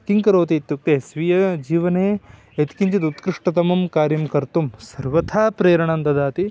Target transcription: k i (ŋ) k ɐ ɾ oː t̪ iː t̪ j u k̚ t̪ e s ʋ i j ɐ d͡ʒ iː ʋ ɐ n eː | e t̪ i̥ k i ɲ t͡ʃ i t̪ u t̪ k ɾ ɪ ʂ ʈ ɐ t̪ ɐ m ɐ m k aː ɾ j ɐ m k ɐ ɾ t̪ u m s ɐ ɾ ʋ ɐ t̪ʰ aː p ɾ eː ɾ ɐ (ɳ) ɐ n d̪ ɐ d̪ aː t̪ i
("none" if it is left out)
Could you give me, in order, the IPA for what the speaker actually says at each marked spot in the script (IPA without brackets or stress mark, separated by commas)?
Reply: ŋ, ɳ